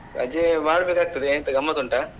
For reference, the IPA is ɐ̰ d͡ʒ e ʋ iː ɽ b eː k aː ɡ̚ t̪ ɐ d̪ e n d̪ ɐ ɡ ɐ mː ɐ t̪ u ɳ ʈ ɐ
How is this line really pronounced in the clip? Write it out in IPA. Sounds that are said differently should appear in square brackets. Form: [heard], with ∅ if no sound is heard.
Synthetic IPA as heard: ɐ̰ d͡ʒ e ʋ [aː] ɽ b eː k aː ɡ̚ t̪ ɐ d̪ e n [t̪] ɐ ɡ ɐ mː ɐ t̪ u ɳ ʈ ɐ